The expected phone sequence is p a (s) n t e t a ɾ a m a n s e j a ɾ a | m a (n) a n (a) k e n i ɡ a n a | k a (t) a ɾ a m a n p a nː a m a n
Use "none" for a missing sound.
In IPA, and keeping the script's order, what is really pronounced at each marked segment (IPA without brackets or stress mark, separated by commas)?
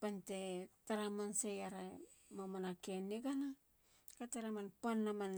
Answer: none, m, a, t